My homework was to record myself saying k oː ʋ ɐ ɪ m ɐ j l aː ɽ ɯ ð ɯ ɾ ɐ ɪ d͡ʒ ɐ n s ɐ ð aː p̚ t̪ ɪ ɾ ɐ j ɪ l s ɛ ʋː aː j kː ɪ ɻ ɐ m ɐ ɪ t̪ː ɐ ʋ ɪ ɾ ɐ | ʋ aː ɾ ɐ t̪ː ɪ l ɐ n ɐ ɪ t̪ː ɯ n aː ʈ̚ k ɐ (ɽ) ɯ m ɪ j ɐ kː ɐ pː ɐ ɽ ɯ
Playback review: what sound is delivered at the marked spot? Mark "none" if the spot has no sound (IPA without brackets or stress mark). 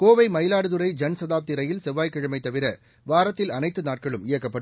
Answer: ɭ